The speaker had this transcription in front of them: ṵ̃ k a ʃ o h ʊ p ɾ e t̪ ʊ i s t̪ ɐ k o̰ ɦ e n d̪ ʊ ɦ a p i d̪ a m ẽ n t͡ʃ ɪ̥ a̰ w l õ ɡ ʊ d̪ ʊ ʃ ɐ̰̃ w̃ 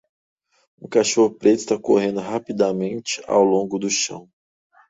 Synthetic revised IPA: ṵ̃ k a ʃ o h ʊ p ɾ e t̪ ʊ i s t̪ a k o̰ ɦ ẽ n d̪ ʊ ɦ a p i d̪ a m ẽ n t͡ʃ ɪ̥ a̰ w l õ ɡ ʊ d̪ ʊ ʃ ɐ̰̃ w̃